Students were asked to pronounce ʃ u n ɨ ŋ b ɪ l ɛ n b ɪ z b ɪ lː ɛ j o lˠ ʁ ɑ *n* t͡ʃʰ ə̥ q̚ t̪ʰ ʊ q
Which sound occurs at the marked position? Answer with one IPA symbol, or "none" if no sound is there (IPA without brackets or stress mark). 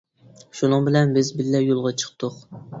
none